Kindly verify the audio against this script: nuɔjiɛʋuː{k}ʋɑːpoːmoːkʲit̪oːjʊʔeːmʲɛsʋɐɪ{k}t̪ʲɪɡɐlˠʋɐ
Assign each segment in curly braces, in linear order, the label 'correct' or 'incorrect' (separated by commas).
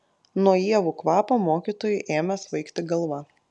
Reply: correct, correct